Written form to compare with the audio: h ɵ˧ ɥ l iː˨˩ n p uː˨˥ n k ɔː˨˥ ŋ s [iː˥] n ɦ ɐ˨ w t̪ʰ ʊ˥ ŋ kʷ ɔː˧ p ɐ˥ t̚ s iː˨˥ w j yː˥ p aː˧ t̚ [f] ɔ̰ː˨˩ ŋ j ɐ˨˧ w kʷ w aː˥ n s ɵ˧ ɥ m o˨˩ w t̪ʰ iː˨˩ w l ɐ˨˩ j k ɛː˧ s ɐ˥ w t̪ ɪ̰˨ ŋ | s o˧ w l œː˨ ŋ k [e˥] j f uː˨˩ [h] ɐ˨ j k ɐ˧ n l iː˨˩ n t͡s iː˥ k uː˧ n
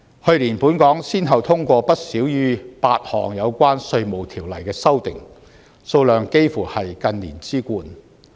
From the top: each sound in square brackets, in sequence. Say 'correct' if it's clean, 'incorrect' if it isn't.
correct, incorrect: h, correct, correct

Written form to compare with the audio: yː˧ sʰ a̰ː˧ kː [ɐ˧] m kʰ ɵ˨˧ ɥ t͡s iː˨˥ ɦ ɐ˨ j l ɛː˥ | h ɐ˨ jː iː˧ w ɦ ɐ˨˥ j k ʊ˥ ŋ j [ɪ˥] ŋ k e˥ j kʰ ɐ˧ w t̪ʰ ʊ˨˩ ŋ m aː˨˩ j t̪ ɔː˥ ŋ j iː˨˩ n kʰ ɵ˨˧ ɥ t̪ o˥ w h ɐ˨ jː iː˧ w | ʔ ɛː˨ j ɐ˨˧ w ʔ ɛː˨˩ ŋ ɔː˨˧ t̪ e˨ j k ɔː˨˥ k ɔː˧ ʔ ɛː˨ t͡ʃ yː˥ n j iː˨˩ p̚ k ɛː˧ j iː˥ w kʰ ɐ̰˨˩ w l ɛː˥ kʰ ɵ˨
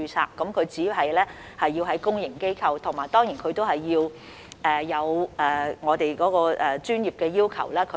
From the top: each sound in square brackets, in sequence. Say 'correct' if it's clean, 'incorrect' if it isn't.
incorrect: ɐ˨˥, incorrect: ɪ˨˩

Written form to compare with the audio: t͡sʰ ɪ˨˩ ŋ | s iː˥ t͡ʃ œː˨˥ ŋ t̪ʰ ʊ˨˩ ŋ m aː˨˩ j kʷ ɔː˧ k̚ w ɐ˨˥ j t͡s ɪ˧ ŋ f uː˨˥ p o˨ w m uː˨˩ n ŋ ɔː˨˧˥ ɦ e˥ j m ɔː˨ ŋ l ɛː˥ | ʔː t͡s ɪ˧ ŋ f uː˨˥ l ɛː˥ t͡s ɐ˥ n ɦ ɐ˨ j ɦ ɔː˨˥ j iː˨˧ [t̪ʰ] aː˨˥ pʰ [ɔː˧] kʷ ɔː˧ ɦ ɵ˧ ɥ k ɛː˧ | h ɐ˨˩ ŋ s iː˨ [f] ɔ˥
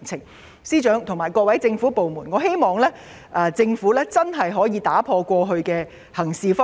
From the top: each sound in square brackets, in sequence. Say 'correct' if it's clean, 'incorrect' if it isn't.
incorrect: t̪, correct, correct

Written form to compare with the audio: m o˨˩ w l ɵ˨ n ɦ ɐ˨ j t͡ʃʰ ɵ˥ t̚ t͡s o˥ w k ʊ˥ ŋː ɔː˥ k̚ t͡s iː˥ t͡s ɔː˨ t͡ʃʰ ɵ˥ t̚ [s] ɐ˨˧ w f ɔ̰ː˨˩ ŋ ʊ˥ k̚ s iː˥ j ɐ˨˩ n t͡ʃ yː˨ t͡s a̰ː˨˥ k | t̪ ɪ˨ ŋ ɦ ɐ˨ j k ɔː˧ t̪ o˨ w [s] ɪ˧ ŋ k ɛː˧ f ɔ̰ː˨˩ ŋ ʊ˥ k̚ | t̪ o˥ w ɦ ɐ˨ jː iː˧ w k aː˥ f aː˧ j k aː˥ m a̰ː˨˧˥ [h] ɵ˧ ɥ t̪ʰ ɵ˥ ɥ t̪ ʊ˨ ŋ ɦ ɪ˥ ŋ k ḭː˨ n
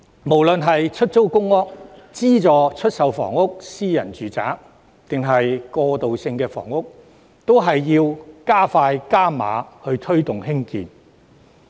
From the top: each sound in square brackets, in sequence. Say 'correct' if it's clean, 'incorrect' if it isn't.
correct, correct, correct

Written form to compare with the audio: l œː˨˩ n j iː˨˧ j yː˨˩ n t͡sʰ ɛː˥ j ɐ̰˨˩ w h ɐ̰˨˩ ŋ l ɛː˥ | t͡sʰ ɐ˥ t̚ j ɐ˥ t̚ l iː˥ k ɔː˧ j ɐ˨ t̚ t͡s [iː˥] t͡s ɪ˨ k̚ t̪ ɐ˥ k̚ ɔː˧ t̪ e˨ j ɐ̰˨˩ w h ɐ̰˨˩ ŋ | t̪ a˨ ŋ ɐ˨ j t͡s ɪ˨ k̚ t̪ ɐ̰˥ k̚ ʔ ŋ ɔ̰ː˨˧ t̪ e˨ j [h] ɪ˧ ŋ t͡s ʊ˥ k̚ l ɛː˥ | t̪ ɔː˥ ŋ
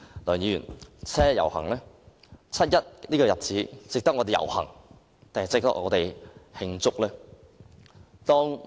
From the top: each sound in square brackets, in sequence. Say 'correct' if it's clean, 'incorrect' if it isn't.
incorrect: iː˨˥, correct

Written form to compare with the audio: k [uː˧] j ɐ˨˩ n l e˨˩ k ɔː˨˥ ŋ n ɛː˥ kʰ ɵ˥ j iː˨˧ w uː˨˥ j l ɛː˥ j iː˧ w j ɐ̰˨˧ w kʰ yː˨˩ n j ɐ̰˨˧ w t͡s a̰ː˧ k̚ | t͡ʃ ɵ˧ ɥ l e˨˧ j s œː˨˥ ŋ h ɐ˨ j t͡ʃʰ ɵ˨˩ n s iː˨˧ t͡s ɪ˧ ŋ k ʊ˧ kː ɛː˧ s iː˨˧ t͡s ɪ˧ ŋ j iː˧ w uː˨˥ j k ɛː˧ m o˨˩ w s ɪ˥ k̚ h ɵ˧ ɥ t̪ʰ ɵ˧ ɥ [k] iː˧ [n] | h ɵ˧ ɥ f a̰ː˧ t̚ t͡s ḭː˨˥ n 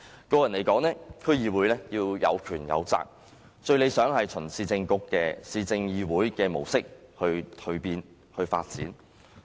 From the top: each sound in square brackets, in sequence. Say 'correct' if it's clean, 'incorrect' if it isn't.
incorrect: ɔː˧, incorrect: p, correct

